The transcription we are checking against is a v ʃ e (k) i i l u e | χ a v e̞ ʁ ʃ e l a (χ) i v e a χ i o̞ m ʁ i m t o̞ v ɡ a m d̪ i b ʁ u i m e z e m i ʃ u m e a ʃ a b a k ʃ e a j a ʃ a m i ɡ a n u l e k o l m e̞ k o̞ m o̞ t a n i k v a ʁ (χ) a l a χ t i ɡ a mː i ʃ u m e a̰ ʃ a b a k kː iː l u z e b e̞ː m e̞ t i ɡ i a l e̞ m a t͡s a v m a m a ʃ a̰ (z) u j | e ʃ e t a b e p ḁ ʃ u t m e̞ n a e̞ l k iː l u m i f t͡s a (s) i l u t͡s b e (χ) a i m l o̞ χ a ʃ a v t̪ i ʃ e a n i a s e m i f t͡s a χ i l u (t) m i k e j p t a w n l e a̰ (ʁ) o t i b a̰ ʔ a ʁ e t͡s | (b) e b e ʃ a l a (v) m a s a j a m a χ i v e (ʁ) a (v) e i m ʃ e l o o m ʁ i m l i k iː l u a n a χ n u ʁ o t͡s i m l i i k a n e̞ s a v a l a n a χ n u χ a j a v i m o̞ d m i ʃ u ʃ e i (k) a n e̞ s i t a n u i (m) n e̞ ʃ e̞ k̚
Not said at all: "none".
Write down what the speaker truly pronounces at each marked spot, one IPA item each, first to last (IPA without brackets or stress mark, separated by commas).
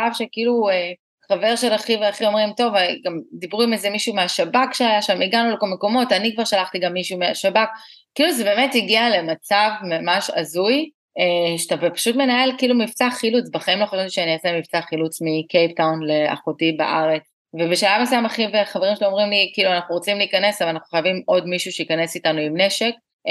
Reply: k, χ, ʃ, z, χ, χ, t͡s, χ, v, v, χ, v, k, m